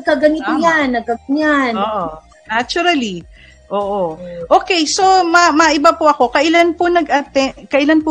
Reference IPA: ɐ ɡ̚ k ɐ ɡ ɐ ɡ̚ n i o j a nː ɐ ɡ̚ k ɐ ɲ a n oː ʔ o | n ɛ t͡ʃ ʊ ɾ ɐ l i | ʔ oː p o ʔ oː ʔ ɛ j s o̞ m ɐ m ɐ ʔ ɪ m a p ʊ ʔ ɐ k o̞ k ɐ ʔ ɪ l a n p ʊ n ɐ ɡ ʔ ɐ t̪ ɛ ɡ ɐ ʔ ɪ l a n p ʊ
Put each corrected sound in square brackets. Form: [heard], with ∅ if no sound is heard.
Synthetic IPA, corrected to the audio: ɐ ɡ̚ k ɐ ɡ ɐ [∅] n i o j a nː ɐ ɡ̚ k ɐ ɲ a n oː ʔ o | n [a] t͡ʃ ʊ ɾ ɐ l i | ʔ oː [ʔ] o ʔ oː [k] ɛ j s o̞ m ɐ m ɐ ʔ ɪ [b] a p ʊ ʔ ɐ k o̞ k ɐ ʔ ɪ l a n p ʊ n ɐ ɡ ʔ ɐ t̪ ɛ [k] ɐ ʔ ɪ l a n p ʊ